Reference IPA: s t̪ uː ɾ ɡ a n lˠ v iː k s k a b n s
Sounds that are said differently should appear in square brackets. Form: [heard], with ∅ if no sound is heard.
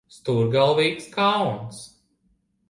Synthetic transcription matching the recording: s t̪ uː ɾ ɡ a [∅] lˠ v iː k s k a [w] n s